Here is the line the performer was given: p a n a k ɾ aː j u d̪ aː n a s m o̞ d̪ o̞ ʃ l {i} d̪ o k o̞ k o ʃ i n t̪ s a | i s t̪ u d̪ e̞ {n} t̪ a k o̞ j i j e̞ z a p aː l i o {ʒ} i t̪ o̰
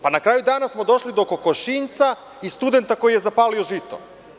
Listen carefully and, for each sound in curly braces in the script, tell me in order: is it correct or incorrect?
correct, correct, correct

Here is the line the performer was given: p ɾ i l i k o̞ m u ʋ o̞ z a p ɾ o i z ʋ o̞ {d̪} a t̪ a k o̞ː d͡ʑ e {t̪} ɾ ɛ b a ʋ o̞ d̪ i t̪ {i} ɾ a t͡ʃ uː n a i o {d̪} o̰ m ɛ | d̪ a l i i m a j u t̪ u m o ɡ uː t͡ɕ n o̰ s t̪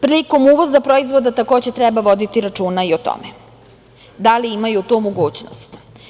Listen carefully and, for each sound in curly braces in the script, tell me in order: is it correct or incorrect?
correct, correct, correct, incorrect: t̪

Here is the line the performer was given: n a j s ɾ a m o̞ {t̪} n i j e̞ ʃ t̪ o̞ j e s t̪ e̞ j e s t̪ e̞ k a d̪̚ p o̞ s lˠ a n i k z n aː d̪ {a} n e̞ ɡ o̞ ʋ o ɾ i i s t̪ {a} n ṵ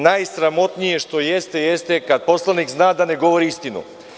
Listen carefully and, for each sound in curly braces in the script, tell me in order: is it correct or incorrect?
correct, correct, incorrect: i

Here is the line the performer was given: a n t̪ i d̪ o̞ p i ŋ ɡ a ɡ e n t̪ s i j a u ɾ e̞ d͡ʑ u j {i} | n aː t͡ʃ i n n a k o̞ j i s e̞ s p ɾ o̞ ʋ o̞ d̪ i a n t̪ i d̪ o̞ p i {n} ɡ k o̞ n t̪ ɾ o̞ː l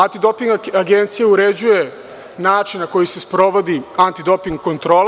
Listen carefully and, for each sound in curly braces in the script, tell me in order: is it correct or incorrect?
incorrect: e, incorrect: ŋ

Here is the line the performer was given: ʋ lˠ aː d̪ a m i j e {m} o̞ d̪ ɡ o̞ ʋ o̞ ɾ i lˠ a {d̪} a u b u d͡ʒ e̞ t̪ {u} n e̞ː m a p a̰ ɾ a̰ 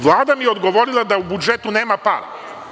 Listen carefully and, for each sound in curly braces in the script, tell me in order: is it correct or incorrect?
incorrect: none, correct, correct

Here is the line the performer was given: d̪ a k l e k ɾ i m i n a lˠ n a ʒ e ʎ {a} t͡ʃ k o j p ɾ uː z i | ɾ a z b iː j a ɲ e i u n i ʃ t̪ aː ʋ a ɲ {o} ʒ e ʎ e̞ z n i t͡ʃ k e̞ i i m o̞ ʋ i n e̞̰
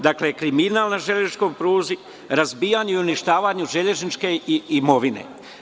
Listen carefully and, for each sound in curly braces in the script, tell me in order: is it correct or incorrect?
incorrect: e, incorrect: u

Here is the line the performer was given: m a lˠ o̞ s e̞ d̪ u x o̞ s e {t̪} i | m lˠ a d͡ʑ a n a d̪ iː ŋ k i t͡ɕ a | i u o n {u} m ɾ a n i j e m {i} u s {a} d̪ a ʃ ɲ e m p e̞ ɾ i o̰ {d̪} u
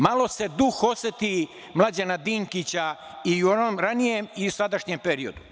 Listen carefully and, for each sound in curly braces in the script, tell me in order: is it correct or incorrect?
correct, incorrect: o, correct, correct, correct

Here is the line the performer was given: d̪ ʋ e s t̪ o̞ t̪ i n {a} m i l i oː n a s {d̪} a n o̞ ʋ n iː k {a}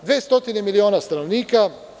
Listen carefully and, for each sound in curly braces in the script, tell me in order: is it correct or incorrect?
incorrect: e, incorrect: t̪, correct

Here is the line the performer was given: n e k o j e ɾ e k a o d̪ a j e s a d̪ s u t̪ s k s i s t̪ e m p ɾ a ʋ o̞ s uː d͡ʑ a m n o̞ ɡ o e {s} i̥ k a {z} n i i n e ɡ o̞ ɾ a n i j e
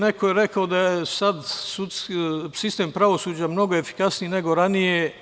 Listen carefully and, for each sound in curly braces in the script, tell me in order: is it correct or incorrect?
incorrect: f, incorrect: s

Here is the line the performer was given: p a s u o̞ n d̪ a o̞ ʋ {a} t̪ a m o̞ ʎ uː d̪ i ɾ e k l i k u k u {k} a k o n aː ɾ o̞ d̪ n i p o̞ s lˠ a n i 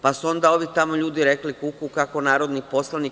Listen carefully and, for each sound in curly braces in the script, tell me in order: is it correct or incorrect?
incorrect: i, correct

